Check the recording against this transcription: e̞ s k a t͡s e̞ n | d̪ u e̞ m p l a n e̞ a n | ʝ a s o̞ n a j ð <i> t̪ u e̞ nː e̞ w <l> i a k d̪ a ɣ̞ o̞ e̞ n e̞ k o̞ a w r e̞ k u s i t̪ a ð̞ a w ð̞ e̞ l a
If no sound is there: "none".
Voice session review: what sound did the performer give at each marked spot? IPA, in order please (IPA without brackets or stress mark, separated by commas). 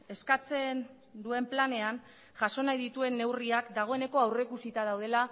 i, r